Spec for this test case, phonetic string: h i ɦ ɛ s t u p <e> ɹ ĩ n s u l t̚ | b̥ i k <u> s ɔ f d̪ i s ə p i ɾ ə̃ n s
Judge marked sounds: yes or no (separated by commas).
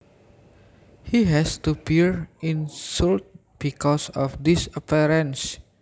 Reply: no, no